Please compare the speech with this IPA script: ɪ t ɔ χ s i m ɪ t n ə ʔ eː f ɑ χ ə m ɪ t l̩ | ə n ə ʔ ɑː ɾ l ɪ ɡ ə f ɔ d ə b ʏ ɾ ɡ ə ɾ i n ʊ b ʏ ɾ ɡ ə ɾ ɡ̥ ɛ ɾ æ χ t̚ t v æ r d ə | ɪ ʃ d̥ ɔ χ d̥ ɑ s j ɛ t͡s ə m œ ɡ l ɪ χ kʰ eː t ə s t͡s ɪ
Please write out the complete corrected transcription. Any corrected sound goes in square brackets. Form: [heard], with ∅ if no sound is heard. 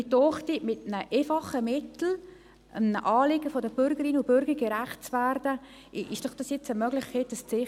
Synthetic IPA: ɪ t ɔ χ [t] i m ɪ t n ə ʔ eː f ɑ χ ə m ɪ t l̩ | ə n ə ʔ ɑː [∅] l ɪ ɡ ə f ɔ d ə b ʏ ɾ ɡ ə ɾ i n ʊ b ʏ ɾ ɡ ə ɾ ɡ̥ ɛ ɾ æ χ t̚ [t͡s] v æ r d ə | ɪ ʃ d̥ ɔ χ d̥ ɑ s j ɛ t͡s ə m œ ɡ l ɪ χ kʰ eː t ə s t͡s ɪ